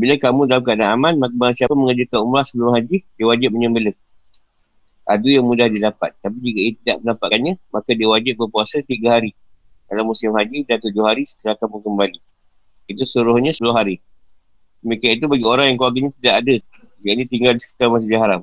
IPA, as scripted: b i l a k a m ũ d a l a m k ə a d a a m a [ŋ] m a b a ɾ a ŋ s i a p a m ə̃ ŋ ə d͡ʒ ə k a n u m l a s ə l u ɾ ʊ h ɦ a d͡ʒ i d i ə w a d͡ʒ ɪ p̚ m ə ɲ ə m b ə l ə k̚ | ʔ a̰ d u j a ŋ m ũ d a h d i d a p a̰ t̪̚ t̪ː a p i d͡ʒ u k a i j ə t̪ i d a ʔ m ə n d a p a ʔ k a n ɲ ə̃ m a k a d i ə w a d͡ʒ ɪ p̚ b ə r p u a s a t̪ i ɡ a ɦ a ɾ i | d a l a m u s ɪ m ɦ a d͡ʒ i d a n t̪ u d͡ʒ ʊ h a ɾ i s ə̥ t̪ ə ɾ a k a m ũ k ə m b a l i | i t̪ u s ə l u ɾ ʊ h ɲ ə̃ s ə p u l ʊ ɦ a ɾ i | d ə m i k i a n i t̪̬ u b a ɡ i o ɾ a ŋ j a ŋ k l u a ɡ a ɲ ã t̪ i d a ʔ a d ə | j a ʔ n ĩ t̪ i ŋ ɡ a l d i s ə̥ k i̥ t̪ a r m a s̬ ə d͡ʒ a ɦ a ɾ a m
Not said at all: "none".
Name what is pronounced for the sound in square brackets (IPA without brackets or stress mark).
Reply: n